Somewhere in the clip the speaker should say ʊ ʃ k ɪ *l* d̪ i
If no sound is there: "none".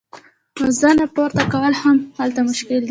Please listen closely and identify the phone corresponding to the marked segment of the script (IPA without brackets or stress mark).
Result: l